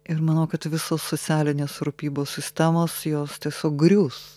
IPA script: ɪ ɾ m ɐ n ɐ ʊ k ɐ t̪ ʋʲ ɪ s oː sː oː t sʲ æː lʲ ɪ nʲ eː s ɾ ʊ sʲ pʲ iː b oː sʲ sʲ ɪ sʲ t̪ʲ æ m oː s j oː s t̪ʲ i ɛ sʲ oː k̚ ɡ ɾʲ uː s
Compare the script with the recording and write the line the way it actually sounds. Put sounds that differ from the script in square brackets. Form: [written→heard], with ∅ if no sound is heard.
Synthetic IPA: ɪ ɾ m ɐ n ɐ ʊ k ɐ t̪ ʋʲ ɪ s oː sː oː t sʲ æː lʲ ɪ nʲ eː s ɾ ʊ [sʲ→∅] pʲ iː b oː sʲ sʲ ɪ sʲ t̪ʲ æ m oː s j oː s t̪ʲ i ɛ sʲ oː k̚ ɡ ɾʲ uː s